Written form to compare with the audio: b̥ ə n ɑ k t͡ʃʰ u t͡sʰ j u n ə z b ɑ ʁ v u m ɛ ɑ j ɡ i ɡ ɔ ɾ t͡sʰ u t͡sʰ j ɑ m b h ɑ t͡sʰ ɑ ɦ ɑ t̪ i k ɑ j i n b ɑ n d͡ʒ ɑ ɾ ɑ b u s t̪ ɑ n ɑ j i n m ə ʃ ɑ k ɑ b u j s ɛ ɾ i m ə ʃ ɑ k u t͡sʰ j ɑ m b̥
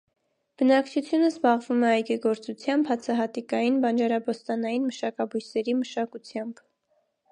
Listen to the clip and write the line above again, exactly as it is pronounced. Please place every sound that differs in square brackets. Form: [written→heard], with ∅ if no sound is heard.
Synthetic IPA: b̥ ə n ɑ k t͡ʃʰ u t͡sʰ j u n ə z b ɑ ʁ v u m ɛ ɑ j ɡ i ɡ ɔ ɾ [t͡sʰ→t͡s] u t͡sʰ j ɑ m b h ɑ t͡sʰ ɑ ɦ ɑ t̪ i k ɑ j i n b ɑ n d͡ʒ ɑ ɾ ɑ b [u→ɔ] s t̪ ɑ n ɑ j i n m ə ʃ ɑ k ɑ b u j s ɛ ɾ i m ə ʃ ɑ k u t͡sʰ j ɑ m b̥